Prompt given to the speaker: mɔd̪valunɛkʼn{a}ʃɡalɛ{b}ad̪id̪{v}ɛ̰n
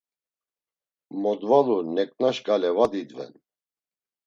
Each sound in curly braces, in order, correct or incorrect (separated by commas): correct, incorrect, correct